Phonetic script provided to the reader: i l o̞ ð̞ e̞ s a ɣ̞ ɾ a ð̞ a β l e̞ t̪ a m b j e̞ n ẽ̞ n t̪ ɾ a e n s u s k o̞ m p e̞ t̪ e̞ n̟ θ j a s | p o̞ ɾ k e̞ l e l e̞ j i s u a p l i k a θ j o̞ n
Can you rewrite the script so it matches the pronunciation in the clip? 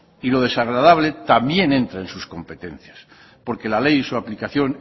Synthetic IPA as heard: i l o̞ ð̞ e̞ s a ɣ̞ ɾ a ð̞ a β l e̞ t̪ a m b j e̞ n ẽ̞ n t̪ ɾ a e n s u s k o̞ m p e̞ t̪ e̞ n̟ θ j a s | p o̞ ɾ k e̞ l a l e̞ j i s u a p l i k a θ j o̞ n